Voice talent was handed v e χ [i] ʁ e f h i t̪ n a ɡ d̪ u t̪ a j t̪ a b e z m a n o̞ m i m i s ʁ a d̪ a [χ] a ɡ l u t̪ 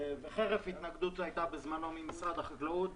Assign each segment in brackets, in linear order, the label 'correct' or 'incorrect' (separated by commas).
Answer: incorrect, correct